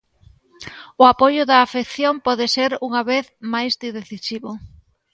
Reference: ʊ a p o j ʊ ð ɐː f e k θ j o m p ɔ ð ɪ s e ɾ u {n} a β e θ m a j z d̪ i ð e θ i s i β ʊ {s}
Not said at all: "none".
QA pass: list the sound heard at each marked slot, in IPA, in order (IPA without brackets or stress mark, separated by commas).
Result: ŋ, none